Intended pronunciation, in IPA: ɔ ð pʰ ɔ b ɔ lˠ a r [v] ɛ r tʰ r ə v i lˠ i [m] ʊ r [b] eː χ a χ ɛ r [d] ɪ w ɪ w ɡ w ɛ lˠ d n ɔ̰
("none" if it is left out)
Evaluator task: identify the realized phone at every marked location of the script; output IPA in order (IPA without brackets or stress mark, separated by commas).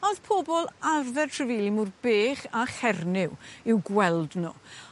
ð, m, b, n